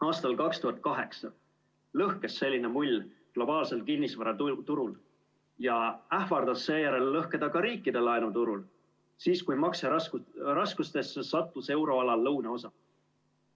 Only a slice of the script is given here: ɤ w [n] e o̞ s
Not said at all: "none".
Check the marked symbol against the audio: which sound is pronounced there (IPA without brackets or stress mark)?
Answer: n